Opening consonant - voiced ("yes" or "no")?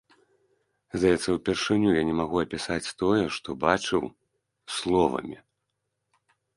yes